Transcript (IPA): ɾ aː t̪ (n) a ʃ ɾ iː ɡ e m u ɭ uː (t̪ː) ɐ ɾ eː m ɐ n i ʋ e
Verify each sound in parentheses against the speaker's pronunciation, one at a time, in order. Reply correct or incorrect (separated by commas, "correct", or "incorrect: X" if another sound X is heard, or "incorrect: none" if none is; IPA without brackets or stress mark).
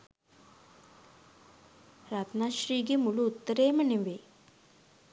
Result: correct, correct